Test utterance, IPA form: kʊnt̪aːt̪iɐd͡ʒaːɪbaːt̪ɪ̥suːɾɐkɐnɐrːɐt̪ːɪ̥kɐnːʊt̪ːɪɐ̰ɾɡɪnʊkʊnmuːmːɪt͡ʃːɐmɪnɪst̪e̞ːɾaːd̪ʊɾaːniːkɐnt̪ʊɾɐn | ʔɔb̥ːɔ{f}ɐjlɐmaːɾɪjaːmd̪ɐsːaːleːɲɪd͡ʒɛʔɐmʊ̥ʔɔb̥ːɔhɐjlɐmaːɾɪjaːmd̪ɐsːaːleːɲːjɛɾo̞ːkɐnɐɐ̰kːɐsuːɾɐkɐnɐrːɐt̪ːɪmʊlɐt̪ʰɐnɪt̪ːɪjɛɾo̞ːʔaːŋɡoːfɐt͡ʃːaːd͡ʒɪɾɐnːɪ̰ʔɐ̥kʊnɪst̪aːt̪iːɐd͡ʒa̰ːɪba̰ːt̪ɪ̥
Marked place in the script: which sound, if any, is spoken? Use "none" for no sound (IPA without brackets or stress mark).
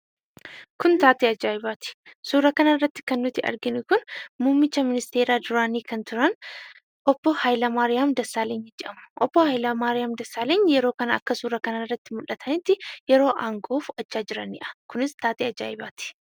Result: h